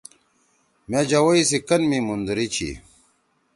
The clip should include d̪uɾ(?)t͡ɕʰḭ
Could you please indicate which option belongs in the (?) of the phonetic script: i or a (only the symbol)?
i